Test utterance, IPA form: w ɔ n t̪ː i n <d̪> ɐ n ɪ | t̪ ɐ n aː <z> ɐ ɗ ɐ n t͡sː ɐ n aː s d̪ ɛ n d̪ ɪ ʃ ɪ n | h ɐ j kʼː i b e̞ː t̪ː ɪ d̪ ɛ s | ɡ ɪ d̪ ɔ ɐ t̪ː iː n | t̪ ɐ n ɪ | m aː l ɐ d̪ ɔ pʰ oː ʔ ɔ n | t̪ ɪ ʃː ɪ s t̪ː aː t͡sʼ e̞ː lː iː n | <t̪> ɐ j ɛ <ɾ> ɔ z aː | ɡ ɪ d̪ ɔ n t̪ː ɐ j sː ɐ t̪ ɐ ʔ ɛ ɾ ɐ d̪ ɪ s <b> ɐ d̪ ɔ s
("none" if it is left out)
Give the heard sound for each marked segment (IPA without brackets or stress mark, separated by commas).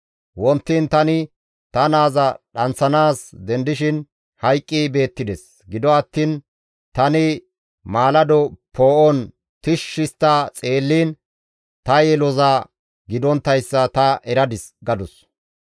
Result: t̪, z, t̪, l, ɡ